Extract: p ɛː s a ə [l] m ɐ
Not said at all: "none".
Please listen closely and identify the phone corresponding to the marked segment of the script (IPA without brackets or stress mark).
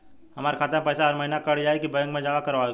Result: ɾ